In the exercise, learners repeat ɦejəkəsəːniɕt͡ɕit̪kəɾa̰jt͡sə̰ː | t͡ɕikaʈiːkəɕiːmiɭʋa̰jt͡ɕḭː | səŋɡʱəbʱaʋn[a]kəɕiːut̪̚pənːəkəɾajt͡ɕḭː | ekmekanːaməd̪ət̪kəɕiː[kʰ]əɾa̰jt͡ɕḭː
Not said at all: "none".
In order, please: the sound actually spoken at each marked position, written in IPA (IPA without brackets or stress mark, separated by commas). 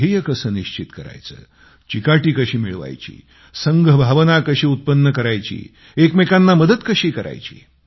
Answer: a, k